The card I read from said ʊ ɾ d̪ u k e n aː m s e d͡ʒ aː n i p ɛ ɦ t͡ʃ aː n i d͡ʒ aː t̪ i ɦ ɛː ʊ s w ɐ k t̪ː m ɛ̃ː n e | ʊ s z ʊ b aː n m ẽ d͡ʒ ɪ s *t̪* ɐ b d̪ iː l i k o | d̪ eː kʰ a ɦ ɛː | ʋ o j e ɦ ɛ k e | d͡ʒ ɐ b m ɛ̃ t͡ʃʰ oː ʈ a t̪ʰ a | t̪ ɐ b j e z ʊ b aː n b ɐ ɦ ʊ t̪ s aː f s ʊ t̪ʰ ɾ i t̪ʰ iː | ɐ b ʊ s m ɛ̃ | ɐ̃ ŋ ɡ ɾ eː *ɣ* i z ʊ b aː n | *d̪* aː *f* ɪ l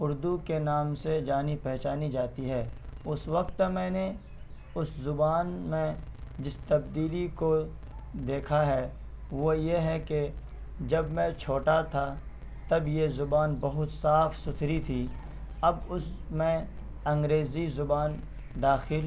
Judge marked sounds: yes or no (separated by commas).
yes, no, yes, no